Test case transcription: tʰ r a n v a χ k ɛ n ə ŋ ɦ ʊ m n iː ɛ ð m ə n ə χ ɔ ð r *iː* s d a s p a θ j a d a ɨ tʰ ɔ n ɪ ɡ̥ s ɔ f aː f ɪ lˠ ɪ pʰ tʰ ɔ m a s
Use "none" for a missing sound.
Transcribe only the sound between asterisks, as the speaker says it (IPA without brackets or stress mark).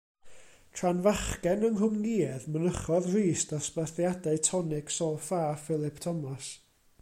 iː